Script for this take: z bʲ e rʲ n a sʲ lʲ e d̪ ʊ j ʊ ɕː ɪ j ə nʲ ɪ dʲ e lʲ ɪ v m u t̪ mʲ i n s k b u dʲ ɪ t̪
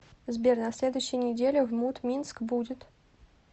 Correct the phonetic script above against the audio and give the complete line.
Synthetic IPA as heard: z bʲ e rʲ n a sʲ lʲ e d̪ ʊ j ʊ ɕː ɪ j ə nʲ ɪ dʲ e lʲ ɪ v m u t̪ mʲ i n s k b u dʲ ɪ t̪